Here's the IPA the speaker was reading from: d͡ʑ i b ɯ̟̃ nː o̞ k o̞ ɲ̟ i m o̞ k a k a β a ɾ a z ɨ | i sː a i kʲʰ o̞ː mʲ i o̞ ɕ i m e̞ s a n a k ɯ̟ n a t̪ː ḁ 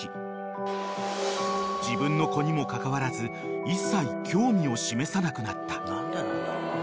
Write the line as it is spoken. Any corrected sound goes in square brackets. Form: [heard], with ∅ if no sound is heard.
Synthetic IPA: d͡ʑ i b ɯ̟̃ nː o̞ k o̞ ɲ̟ i m o̞ k a k a β a ɾ a z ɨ | i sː a i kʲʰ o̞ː mʲ i o̞ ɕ i m e̞ s a n a k ɯ̟ n a t̪ː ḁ